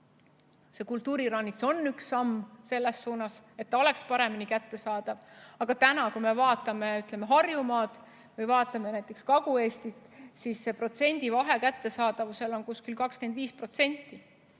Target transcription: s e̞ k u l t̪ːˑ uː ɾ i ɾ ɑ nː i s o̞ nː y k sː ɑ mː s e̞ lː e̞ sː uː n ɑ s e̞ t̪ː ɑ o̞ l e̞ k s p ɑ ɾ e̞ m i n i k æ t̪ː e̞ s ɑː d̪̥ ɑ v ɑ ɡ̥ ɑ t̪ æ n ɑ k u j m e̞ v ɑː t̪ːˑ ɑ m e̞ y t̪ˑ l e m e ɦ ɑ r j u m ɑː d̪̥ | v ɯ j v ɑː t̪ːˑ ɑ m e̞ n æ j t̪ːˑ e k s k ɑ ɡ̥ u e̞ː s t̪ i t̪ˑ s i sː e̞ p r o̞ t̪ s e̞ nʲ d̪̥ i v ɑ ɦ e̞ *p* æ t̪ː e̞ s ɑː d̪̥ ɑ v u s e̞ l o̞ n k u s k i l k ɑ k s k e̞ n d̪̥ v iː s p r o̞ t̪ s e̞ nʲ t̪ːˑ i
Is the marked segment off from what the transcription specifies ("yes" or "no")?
yes